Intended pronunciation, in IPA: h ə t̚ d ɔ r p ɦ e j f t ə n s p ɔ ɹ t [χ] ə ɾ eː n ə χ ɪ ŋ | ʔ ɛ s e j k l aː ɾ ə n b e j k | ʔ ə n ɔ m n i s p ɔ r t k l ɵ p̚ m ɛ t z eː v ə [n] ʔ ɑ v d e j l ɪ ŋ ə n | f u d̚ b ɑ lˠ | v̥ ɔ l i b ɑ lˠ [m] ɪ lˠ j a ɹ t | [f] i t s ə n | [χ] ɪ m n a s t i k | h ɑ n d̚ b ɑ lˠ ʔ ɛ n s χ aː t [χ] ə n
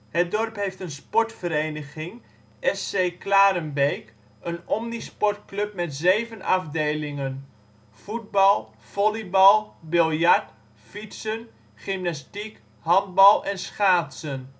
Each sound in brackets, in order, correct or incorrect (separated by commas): incorrect, correct, incorrect, correct, correct, incorrect